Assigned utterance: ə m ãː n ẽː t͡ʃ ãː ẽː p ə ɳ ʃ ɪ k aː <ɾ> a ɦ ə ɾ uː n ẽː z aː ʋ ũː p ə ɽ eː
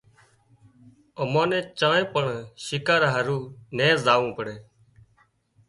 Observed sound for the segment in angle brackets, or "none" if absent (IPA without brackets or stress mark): ɾ